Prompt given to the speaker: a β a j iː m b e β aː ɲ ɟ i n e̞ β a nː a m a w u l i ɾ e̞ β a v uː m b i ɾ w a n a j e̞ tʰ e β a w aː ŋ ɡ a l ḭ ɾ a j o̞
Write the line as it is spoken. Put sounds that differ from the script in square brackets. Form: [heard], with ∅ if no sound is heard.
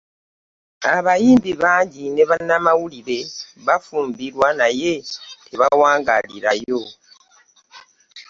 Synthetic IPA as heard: a β a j iː m b [i] β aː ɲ ɟ i n e̞ β a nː a m a w u l i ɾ e̞ β a [f] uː m b i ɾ w a n a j e̞ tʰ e β a w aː ŋ ɡ a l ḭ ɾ a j o̞